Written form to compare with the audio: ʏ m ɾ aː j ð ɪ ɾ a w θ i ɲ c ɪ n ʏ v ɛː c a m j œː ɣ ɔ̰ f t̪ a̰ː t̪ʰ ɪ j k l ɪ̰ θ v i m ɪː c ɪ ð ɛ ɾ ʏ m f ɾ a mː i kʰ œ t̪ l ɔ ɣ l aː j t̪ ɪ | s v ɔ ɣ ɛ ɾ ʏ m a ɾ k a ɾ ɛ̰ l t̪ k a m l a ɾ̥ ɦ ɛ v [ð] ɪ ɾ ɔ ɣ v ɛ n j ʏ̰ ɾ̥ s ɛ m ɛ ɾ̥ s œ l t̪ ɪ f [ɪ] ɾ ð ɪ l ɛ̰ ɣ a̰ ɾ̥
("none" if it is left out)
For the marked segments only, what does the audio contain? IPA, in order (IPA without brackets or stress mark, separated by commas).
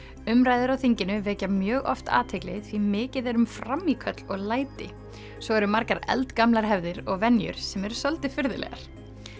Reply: ð, ɪ